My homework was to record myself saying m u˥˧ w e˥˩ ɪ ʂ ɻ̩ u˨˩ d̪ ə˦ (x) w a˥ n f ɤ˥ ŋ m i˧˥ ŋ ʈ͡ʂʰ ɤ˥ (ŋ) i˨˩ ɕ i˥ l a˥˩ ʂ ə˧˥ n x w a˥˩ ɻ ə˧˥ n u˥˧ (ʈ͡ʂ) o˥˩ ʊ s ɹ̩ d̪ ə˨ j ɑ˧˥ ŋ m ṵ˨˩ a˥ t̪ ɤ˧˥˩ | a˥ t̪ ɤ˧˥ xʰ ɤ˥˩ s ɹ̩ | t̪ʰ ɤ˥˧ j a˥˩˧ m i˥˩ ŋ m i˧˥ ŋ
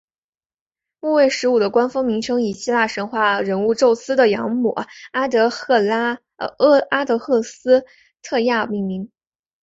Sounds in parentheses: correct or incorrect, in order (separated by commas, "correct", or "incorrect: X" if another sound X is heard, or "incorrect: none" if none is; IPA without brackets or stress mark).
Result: incorrect: k, correct, correct